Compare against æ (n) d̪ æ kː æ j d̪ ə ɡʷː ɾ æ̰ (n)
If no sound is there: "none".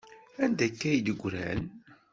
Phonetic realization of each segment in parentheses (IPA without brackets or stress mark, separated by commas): n, n